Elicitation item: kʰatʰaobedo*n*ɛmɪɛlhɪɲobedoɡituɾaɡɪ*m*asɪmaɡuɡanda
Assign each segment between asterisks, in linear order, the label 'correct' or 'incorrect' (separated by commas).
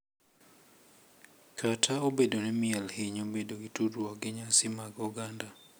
correct, incorrect